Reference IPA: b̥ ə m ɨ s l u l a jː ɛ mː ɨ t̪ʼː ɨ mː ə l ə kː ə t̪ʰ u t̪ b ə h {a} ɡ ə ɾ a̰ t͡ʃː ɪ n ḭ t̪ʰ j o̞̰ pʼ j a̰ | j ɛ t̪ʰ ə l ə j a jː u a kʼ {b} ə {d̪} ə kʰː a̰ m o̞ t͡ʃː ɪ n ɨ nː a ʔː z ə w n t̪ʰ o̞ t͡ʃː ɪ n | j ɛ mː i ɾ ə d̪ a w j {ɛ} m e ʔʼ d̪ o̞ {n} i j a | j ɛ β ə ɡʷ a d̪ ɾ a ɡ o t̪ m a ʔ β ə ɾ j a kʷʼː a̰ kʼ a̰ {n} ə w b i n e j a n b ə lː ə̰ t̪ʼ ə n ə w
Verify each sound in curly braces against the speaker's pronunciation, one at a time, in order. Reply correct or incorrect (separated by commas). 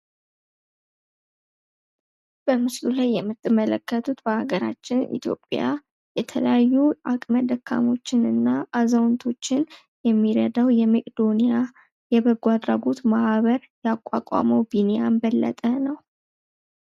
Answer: correct, incorrect, correct, correct, correct, incorrect